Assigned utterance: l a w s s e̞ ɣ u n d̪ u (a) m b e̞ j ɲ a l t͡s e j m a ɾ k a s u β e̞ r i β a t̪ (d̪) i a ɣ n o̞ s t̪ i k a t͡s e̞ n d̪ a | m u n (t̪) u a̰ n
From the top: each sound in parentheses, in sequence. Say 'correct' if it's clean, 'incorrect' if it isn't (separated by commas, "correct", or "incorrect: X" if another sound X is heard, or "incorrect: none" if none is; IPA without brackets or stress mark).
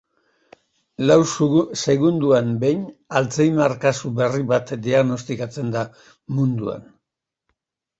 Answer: correct, correct, incorrect: d̪